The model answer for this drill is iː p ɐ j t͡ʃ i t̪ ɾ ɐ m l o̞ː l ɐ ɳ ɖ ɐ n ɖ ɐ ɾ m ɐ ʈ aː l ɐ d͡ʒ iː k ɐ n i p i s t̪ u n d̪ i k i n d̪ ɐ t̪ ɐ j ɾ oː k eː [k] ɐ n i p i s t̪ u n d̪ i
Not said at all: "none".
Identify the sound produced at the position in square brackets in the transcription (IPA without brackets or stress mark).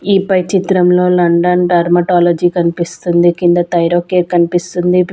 k